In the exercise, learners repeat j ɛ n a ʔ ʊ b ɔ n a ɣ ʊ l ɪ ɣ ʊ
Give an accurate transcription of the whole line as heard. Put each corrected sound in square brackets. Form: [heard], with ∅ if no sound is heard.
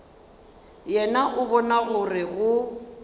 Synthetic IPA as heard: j ɛ n a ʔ ʊ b ɔ n a ɣ ʊ [r] ɪ ɣ ʊ